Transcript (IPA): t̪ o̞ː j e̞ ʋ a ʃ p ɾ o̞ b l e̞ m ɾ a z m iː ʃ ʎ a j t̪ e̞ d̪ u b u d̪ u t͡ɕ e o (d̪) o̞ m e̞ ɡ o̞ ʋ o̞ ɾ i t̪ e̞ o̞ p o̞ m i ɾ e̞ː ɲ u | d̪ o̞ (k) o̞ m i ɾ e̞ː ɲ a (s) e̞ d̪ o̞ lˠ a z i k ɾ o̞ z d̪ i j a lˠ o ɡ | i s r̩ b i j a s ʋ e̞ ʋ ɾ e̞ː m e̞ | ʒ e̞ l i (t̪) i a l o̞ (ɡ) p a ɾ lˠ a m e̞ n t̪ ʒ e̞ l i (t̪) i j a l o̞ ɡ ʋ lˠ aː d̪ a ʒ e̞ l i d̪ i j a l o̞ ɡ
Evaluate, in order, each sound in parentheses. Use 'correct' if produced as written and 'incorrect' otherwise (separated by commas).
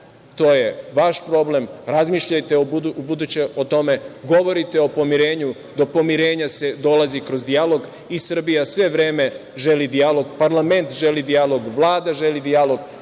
incorrect, incorrect, correct, incorrect, correct, incorrect